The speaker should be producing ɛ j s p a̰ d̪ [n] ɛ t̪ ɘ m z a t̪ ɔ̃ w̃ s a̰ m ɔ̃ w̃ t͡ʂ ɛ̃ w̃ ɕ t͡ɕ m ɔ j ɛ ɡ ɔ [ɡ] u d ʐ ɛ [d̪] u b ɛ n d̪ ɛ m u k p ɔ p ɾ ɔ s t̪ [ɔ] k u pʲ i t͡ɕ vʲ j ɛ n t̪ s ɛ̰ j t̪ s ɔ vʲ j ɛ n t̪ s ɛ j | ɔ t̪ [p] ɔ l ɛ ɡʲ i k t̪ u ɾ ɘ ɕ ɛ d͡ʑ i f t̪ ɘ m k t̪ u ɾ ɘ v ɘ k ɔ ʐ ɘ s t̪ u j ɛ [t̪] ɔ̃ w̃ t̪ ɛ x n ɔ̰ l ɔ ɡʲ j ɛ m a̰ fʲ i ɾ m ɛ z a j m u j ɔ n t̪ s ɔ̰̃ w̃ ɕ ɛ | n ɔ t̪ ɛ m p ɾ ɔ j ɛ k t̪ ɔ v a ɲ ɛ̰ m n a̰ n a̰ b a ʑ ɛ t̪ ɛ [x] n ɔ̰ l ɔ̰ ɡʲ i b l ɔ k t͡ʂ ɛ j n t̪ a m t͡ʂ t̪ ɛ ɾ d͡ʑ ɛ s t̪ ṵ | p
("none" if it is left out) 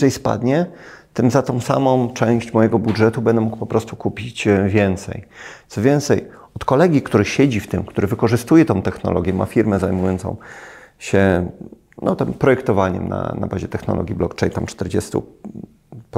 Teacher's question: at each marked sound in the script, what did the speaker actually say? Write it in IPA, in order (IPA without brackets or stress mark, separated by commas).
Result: ɲ, b, t̪, u, k, t̪, x